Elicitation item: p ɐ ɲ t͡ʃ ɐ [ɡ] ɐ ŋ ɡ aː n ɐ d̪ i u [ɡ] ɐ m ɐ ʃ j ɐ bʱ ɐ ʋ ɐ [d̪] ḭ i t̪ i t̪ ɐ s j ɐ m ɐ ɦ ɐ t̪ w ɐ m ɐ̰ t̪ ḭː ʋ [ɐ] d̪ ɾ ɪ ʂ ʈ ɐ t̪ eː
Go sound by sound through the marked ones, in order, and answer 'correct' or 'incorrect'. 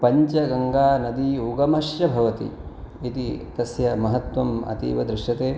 correct, correct, incorrect, correct

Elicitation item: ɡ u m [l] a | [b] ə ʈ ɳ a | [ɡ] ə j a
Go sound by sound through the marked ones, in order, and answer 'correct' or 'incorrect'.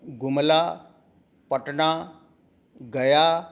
correct, incorrect, correct

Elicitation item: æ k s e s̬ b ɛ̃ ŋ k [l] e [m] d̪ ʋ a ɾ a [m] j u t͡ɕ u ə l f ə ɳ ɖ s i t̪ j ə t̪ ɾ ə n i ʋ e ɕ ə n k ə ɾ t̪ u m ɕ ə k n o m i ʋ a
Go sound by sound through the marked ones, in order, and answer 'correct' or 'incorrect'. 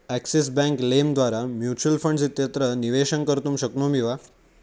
correct, correct, correct

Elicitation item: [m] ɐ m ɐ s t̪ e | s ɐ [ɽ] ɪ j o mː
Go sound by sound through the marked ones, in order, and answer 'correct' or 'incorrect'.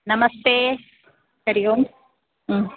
incorrect, incorrect

